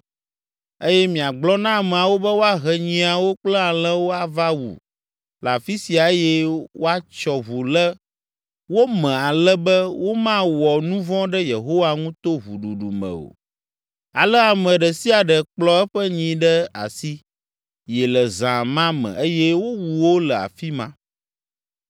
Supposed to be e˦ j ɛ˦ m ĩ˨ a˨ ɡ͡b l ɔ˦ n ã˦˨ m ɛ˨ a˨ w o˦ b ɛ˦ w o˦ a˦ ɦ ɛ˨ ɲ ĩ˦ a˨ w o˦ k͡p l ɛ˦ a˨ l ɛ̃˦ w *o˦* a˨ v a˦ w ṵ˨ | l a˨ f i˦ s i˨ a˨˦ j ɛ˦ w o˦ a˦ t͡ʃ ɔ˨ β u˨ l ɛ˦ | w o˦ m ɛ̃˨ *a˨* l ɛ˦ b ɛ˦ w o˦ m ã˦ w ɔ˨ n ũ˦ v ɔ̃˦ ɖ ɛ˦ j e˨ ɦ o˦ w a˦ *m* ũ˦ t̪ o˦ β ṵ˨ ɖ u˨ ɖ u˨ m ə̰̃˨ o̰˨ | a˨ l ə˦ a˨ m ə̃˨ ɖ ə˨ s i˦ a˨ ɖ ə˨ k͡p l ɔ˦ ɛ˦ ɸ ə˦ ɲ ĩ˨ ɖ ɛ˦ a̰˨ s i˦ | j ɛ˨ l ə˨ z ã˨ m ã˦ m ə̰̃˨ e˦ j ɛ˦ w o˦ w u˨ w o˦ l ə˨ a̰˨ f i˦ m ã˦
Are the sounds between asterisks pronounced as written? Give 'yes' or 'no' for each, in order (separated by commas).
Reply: yes, yes, no